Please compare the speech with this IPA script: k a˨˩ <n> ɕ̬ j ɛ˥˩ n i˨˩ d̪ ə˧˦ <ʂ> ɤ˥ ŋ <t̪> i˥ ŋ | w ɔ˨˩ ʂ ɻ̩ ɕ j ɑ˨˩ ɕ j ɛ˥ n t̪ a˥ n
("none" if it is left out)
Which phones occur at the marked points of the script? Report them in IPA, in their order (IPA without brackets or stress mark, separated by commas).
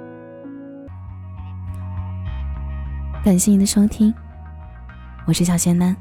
n, ʂ, t̪ʰ